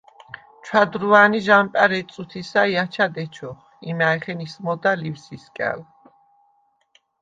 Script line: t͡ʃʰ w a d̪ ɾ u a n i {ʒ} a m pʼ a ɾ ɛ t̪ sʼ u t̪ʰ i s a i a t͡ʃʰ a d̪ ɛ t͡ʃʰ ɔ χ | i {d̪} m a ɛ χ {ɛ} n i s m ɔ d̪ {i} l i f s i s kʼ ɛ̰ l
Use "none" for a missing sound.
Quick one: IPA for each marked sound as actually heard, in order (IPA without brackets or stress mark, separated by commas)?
ʒ, none, ɛ, a